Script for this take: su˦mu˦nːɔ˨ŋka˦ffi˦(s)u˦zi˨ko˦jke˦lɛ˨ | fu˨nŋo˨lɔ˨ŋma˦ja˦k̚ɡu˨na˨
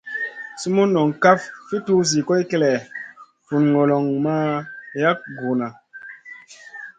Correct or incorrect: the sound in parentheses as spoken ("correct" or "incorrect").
incorrect